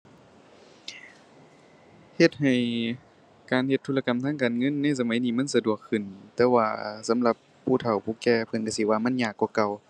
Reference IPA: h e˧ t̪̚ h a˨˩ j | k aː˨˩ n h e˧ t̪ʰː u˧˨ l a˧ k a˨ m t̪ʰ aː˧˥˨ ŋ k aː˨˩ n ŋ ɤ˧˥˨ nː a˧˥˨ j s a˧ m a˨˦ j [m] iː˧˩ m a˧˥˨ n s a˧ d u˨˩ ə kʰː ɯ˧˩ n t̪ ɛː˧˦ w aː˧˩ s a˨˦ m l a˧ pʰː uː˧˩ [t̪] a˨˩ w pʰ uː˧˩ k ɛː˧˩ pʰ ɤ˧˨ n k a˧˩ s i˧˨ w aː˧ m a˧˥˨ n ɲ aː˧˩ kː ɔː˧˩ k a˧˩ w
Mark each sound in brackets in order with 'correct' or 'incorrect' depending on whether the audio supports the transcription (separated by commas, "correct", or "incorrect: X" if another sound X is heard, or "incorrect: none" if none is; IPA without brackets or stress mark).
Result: incorrect: n, incorrect: t̪ʰ